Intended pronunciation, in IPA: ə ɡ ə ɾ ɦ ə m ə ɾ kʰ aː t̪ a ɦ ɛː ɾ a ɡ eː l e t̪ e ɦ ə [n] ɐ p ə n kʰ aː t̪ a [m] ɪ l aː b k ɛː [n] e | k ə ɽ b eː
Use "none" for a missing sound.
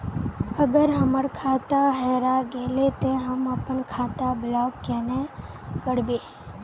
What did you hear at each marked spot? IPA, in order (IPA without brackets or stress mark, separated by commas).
m, b, n